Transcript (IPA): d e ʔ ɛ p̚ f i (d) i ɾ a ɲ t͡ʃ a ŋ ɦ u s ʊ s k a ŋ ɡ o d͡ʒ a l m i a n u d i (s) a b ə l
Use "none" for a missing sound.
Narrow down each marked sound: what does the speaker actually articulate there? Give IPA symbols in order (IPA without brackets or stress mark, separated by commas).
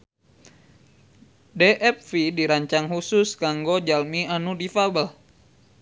d, f